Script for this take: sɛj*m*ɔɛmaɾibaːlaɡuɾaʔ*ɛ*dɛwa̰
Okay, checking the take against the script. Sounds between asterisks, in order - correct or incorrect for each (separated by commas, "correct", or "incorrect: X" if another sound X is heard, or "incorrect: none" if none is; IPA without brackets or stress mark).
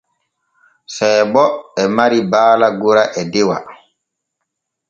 incorrect: b, correct